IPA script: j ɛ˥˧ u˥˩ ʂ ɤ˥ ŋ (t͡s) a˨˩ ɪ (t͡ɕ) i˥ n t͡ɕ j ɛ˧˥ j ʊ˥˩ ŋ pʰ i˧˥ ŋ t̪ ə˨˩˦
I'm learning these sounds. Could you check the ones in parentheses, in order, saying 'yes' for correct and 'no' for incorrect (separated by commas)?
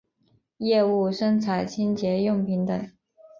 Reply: no, no